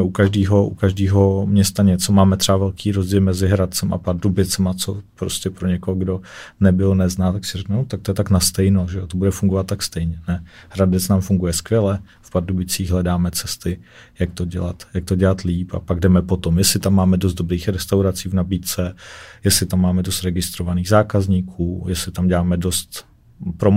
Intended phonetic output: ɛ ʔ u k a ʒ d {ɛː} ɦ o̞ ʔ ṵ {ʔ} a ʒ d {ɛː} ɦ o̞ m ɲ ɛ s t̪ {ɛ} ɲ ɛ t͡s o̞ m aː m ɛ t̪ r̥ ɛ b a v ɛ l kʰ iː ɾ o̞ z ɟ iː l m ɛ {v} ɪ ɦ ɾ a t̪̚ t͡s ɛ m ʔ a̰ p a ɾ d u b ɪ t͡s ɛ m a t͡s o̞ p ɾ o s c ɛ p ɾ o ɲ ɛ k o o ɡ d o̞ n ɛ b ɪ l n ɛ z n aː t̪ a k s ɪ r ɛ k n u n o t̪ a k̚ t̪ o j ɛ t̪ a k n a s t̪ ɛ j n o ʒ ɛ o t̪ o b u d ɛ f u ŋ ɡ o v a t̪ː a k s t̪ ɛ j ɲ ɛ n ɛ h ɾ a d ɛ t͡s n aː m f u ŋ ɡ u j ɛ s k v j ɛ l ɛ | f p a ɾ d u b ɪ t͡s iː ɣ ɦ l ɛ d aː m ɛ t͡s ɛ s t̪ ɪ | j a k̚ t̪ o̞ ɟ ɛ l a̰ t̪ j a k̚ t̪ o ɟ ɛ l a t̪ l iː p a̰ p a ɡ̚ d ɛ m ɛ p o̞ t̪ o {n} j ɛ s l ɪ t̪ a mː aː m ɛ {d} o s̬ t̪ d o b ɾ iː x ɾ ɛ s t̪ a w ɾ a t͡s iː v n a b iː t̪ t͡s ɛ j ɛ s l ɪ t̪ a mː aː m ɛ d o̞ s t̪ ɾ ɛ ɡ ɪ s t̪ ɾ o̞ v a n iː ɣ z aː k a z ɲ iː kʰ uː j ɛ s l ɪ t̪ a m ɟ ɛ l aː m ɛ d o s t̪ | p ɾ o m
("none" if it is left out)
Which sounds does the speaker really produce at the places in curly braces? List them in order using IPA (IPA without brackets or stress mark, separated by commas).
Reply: iː, k, iː, a, z, m, d